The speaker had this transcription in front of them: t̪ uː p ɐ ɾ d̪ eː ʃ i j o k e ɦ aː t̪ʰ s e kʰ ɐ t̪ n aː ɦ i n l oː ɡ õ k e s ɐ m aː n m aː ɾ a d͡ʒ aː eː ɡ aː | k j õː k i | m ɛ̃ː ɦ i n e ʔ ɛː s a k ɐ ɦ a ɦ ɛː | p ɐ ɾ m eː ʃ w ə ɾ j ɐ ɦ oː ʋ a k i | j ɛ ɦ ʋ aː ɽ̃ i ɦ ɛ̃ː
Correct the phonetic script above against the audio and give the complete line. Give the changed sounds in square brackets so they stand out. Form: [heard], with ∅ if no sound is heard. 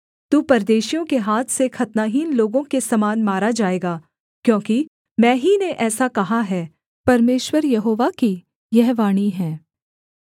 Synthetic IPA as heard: t̪ uː p ɐ ɾ d̪ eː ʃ i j [õ] k e ɦ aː t̪ʰ s e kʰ ɐ t̪ n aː ɦ i n l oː ɡ õ k e s ɐ m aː n m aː ɾ a d͡ʒ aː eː ɡ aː | k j õː k i | m ɛ̃ː ɦ i n e ʔ ɛː s a k ɐ ɦ a ɦ ɛː | p ɐ ɾ m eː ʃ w ə ɾ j ɐ ɦ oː ʋ a k i | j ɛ ɦ ʋ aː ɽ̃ i ɦ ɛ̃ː